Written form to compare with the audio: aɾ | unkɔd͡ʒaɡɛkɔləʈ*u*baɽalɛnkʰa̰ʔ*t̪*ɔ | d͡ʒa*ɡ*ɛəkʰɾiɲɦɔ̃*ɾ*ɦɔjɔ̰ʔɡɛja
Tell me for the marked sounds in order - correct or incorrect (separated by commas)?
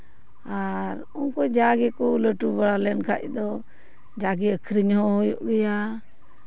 correct, incorrect, correct, incorrect